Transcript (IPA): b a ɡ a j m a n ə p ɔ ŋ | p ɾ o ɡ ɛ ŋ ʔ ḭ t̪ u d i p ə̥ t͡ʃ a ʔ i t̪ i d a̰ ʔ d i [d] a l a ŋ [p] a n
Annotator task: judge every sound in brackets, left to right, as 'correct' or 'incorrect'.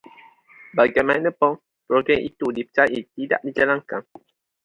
incorrect: d͡ʒ, incorrect: k

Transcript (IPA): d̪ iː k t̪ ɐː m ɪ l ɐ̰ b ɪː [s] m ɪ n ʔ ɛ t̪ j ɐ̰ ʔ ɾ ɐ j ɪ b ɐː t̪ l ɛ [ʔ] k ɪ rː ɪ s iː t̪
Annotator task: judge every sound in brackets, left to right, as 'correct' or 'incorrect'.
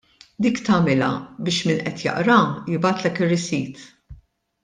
incorrect: ʃ, incorrect: none

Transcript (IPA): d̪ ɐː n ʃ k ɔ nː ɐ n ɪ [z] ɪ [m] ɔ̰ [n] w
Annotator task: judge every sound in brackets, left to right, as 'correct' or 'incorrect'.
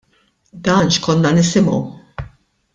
incorrect: s, correct, incorrect: none

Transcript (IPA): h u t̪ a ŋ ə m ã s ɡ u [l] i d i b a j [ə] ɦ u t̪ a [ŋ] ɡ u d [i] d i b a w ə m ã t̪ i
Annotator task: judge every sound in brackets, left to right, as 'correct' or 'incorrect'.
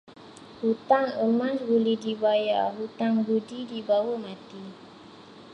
correct, incorrect: a, correct, correct

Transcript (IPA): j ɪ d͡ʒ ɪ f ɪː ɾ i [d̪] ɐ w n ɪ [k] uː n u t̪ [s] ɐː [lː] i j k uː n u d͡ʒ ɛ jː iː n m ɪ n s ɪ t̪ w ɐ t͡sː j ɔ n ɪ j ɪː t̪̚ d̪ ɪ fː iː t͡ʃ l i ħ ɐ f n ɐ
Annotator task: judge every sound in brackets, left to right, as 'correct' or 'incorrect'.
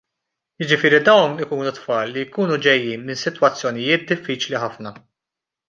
correct, correct, incorrect: f, correct

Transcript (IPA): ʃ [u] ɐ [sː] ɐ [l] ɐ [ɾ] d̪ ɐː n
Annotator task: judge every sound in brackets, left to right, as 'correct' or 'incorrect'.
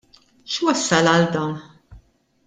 incorrect: w, correct, correct, incorrect: l

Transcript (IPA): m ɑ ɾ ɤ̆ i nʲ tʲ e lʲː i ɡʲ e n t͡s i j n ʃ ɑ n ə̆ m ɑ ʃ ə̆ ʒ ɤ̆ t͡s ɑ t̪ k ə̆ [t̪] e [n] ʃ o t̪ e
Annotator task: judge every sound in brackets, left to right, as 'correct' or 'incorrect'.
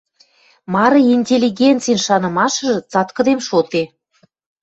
incorrect: d̪, incorrect: m

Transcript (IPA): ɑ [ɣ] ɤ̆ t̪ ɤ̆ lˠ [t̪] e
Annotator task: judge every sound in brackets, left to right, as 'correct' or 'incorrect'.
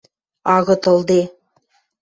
correct, incorrect: d̪

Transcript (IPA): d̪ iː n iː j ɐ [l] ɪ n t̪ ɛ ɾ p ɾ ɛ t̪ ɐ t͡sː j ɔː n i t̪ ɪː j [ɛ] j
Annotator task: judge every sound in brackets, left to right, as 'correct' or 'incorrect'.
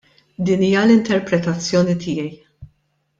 correct, correct

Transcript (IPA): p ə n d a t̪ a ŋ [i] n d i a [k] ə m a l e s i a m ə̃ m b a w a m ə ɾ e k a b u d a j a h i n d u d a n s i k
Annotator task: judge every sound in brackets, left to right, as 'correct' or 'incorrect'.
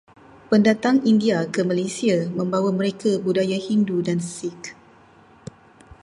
correct, correct

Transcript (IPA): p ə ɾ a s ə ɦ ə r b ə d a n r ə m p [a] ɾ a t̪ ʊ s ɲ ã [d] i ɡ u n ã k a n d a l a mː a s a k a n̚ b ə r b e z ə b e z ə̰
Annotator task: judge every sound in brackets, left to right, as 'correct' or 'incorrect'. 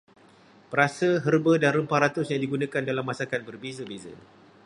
correct, correct

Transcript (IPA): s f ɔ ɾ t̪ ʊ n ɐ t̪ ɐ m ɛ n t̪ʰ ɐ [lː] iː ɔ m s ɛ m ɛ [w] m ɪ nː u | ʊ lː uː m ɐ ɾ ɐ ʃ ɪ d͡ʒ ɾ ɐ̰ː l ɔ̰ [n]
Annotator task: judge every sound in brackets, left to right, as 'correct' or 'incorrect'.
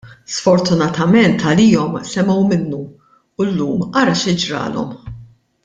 incorrect: l, correct, incorrect: m

